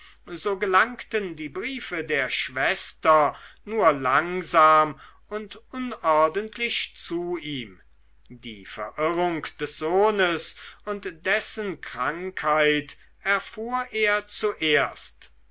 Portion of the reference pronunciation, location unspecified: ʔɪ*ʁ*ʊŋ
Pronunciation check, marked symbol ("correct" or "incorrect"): correct